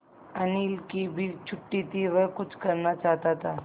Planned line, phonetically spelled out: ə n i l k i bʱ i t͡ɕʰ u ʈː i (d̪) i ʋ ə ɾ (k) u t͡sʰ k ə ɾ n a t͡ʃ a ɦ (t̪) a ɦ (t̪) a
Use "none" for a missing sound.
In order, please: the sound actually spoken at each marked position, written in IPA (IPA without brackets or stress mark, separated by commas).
t̪, k, t̪, t̪